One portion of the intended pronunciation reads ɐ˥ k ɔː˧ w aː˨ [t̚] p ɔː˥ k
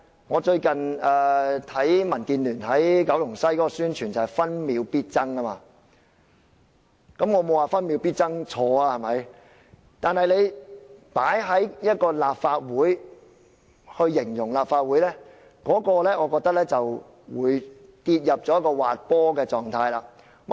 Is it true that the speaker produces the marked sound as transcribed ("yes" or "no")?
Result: yes